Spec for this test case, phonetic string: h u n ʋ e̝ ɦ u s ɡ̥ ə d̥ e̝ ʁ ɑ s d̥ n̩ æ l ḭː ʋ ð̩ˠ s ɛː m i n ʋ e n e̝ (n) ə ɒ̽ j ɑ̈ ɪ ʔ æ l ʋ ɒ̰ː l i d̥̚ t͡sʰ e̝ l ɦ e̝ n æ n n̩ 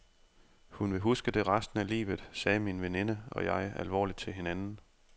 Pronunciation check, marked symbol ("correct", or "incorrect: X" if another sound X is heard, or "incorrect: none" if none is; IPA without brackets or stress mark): correct